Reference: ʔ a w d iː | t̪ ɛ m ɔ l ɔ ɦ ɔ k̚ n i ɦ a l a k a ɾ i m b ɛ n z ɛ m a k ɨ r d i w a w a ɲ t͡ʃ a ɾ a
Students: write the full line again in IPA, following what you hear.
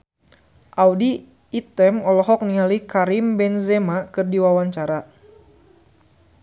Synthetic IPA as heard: ʔ a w d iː | t̪ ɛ m ɔ l ɔ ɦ ɔ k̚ n i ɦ a l i k a ɾ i m b ɛ n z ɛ m a k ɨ r d i w a w a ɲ t͡ʃ a ɾ a